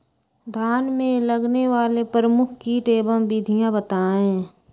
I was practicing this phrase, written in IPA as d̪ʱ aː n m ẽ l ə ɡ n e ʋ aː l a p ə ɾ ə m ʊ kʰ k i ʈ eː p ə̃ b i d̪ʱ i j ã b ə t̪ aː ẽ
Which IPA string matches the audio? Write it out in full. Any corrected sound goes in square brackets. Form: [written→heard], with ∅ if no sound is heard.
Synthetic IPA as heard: d̪ʱ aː n m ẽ l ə ɡ n e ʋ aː l [a→e] p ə ɾ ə m ʊ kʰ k i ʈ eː [p→b] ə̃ b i d̪ʱ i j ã b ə t̪ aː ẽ